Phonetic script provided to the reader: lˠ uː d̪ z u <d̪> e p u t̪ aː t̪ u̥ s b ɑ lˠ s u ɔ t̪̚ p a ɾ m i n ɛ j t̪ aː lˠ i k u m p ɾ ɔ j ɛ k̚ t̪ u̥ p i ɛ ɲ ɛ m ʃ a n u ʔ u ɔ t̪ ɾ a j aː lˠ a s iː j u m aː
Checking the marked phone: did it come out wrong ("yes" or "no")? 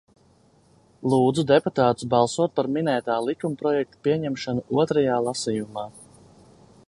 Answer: no